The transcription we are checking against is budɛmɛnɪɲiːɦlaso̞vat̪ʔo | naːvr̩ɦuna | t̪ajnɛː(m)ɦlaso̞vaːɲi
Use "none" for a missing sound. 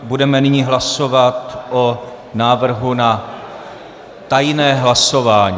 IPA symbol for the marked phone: none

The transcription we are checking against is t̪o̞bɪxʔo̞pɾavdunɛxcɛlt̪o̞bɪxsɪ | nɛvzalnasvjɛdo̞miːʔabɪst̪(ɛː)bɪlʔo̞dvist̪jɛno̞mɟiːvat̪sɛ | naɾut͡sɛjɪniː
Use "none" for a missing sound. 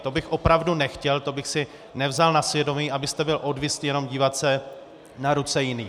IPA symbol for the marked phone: ɛ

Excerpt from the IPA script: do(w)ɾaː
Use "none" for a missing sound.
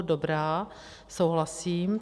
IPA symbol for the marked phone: b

